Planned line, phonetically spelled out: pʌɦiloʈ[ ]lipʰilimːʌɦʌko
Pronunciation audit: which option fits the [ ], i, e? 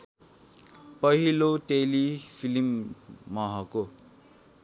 e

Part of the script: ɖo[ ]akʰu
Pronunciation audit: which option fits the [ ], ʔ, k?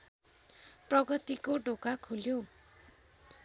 k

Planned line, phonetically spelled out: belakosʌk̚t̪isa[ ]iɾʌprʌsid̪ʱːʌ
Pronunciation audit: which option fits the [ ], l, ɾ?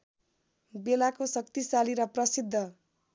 l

